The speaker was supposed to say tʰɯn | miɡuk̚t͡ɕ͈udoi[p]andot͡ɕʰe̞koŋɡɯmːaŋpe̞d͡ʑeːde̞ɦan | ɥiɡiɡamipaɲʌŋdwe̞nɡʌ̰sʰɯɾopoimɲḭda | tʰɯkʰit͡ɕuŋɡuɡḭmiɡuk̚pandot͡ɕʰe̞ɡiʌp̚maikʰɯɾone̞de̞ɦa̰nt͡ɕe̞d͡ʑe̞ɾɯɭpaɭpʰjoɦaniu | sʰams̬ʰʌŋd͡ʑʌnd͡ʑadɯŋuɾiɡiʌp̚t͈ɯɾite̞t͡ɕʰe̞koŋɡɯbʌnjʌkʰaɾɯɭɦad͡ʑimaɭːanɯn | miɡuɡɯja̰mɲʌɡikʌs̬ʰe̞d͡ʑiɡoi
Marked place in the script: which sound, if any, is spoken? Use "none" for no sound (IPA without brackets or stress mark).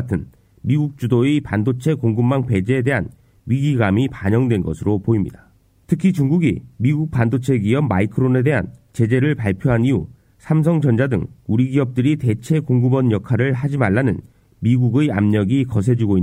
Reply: p